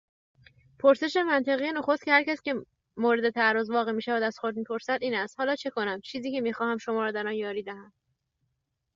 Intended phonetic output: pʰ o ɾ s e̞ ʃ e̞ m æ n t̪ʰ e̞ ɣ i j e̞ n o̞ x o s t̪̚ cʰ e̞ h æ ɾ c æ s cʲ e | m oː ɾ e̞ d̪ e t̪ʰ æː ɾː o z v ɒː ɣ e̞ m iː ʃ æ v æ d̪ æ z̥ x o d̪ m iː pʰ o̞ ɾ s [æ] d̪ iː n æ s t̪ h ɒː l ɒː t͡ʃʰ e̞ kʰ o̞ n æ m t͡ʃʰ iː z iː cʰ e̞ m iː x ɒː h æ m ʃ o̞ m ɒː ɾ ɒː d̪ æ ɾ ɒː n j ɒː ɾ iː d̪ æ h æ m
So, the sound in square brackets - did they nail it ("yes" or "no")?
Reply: yes